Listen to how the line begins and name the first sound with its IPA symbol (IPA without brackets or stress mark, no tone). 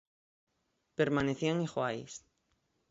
p